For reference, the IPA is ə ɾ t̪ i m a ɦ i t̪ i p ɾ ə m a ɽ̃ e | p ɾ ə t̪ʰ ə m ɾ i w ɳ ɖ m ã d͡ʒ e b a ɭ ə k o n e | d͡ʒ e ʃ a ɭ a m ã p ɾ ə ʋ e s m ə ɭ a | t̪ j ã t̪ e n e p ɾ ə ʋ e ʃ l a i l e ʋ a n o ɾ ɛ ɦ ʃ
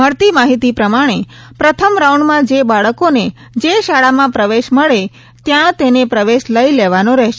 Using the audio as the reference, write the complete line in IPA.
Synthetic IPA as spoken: ə ɾ t̪ i m a ɦ i t̪ i p ɾ ə m a ɽ̃ e | p ɾ ə t̪ʰ ə m ɾ a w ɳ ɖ m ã d͡ʒ e b a ɭ ə k o n e | d͡ʒ e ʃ a ɭ a m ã p ɾ ə ʋ e ʃ m ə ɭ e | t̪ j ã t̪ e n e p ɾ ə ʋ e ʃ l ə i l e ʋ a n o ɾ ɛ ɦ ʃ